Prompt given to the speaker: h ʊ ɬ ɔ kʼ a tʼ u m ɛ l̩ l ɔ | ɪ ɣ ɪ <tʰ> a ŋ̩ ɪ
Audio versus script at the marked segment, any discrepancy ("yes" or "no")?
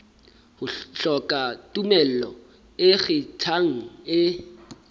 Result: no